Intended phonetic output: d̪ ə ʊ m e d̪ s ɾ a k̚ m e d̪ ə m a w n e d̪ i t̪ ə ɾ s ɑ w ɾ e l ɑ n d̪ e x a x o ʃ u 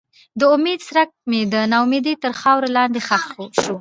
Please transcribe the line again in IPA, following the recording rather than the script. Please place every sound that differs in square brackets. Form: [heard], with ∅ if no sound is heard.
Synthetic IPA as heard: d̪ ə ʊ m e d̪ s ɾ a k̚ m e d̪ ə [n] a w [m] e d̪ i t̪ ə ɾ [x] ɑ w ɾ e l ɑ n d̪ e x a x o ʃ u